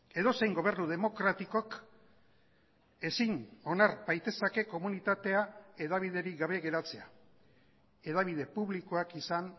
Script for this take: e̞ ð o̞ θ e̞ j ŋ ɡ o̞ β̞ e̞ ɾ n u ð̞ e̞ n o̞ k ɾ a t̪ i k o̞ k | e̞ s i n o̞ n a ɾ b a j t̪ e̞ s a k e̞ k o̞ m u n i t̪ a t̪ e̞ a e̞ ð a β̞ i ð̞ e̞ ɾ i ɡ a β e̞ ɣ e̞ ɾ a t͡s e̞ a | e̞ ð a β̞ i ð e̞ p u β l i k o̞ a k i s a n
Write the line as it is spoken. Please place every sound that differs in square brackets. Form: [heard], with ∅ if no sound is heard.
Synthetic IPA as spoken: e̞ ð o̞ [s] e̞ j ŋ ɡ o̞ β̞ e̞ ɾ n u ð̞ e̞ [m] o̞ k ɾ a t̪ i k o̞ k | e̞ s i n o̞ n a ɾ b a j t̪ e̞ s a k e̞ k o̞ m u n i t̪ a t̪ e̞ a e̞ ð a β̞ i ð̞ e̞ ɾ i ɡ a β e̞ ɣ e̞ ɾ a t͡s e̞ a | e̞ ð a β̞ i ð e̞ p u β l i k o̞ a k i s a n